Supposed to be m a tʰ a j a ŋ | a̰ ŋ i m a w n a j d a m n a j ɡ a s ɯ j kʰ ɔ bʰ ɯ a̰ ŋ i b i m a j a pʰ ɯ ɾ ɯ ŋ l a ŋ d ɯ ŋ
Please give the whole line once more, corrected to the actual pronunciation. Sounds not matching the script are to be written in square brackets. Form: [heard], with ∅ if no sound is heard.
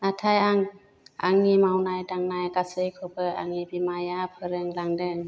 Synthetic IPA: [n] a tʰ a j a ŋ | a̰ ŋ i m a w n a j d a [ŋ] n a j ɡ a s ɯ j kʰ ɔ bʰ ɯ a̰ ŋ i b i m a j a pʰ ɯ ɾ ɯ ŋ l a ŋ d ɯ ŋ